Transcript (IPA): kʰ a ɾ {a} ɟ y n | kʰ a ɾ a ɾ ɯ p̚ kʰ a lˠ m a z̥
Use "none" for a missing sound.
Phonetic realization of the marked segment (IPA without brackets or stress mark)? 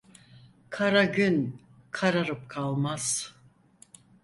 a